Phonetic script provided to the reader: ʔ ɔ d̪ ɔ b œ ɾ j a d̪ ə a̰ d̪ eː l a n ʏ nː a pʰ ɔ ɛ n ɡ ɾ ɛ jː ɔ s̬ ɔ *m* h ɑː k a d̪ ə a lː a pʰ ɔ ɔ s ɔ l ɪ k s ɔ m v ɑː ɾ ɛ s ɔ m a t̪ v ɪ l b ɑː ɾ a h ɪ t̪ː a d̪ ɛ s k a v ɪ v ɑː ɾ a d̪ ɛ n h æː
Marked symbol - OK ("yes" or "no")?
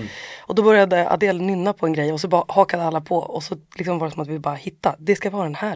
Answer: no